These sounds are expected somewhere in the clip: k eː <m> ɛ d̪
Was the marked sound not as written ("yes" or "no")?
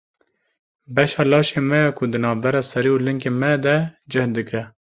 no